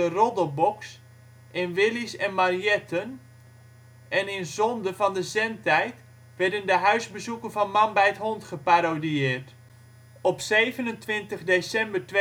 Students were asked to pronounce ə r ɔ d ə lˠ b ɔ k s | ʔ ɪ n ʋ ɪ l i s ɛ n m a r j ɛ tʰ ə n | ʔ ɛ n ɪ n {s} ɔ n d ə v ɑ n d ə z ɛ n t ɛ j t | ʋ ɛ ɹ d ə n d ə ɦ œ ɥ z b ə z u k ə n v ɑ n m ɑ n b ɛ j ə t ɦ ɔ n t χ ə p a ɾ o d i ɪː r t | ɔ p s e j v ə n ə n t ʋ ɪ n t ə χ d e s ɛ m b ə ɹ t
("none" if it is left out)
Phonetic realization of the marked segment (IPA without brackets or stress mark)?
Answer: z